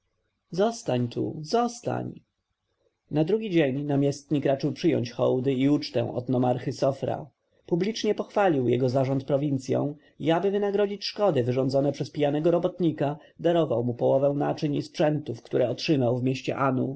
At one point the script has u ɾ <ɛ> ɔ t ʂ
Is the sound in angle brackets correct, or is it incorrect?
correct